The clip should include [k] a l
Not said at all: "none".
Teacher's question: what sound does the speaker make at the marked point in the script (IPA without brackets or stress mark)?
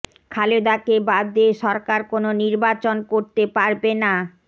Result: kʰ